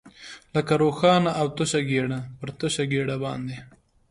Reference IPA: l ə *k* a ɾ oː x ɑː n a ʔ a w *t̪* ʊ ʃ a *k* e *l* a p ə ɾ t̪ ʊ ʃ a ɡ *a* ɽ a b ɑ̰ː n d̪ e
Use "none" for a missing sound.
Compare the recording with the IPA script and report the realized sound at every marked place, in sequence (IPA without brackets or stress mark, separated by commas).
k, t̪, ɡ, ɽ, e